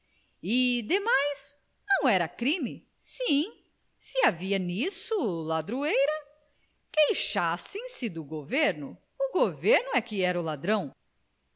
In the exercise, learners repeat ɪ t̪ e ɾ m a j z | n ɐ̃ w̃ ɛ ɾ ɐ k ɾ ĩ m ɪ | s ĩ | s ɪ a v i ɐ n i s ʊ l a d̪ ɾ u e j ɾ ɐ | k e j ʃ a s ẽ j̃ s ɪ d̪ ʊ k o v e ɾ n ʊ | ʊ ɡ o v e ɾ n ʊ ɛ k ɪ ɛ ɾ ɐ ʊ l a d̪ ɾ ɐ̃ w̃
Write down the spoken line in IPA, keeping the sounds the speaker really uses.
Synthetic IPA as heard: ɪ d̪ e m a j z | n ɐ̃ w̃ ɛ ɾ ɐ k ɾ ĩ m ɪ | s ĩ | s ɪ a v i ɐ n i s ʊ l a d̪ ɾ u e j ɾ ɐ | k e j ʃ a s ẽ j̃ s ɪ d̪ ʊ ɡ o v e ɾ n ʊ | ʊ ɡ o v e ɾ n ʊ ɛ k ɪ ɛ ɾ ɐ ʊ l a d̪ ɾ ɐ̃ w̃